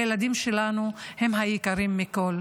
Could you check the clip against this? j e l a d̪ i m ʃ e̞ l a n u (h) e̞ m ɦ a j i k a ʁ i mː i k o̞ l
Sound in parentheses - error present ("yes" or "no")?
no